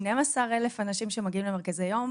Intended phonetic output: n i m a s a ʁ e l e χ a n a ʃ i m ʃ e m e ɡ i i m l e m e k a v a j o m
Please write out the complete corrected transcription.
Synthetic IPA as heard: n e m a s a ʁ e l e f a n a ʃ i m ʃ e m a ɡ i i m l e m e k a z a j o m